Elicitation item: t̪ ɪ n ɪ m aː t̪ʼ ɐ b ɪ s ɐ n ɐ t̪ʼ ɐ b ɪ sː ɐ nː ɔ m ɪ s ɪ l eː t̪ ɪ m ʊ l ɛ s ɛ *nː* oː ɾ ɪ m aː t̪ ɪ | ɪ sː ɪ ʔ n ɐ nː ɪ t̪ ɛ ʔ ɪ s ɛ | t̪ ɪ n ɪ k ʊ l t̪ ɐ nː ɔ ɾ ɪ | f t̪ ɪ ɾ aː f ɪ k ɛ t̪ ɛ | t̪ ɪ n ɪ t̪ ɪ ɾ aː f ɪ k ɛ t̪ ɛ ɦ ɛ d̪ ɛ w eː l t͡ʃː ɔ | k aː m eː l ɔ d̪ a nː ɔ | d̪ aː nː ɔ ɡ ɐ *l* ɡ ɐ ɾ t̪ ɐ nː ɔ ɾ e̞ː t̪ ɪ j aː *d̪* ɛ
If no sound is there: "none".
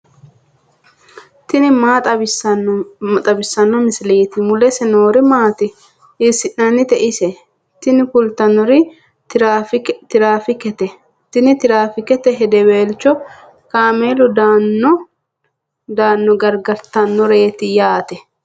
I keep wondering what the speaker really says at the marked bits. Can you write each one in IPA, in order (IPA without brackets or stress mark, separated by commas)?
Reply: n, ɾ, t̪